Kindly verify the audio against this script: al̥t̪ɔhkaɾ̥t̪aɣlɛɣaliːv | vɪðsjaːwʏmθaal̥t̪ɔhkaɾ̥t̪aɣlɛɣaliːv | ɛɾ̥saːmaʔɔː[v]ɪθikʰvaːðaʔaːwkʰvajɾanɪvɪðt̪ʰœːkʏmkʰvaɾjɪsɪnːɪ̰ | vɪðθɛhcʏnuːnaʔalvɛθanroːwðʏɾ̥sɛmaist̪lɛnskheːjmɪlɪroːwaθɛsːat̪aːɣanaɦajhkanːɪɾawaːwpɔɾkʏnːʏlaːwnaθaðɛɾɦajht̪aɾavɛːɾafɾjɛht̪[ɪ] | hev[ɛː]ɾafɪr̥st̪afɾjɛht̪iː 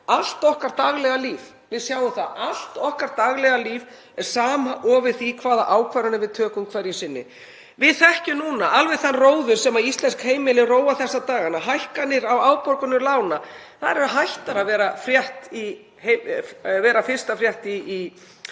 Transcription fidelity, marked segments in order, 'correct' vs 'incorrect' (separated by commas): correct, incorrect, correct